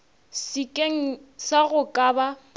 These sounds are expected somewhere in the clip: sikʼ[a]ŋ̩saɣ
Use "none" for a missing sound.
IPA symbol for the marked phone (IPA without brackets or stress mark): e